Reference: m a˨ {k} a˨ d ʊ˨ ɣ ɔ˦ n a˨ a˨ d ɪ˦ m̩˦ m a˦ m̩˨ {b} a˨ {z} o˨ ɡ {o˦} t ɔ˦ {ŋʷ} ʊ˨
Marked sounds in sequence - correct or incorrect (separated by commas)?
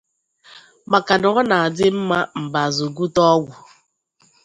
correct, correct, correct, incorrect, incorrect